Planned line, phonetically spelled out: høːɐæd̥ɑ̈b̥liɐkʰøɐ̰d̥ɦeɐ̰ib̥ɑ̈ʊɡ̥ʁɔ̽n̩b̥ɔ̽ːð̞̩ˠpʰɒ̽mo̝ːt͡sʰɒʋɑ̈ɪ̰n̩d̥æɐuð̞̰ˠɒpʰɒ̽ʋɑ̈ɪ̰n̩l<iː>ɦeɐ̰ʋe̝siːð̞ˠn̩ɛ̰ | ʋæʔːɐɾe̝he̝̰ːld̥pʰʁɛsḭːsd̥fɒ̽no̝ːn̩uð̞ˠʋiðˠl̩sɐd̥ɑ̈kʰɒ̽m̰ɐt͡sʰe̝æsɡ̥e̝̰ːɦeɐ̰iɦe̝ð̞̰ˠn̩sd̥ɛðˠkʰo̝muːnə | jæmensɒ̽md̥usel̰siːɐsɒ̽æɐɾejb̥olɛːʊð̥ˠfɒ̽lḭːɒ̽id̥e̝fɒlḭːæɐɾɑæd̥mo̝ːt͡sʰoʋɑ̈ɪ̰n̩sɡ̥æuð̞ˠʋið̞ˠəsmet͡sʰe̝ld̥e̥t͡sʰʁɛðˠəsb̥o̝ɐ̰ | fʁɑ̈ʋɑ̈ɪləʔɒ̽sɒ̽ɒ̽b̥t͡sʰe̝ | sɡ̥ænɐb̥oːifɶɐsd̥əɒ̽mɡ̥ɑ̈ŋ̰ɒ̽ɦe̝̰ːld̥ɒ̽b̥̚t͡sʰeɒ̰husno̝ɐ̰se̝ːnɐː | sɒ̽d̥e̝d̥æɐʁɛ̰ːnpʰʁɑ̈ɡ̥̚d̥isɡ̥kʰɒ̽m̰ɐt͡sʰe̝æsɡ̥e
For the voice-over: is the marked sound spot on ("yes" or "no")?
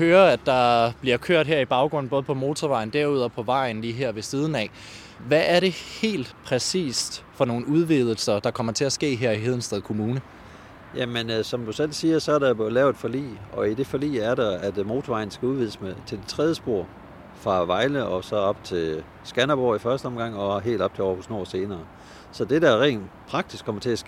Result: yes